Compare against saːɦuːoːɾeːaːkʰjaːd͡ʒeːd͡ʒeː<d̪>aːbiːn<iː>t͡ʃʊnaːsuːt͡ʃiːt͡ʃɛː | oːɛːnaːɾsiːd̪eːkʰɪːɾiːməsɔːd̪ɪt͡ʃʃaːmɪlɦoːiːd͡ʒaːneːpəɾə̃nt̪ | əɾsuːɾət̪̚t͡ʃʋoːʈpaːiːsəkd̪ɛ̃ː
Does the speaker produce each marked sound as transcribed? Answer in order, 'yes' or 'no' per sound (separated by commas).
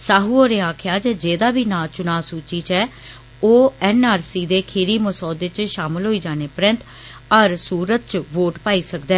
yes, no